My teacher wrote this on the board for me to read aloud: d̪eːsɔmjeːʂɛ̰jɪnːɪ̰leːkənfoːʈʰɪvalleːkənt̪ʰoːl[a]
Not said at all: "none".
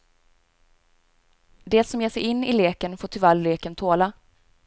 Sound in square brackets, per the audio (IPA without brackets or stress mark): a